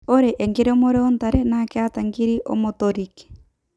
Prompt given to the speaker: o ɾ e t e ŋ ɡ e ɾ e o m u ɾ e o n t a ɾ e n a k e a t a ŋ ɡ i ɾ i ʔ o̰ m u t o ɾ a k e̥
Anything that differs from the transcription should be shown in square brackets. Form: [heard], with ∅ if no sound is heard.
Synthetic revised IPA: o ɾ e [ʔ] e ŋ ɡ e ɾ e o m [o] ɾ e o n t a ɾ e n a k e a t a ŋ ɡ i ɾ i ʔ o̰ m [o] t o ɾ [i] k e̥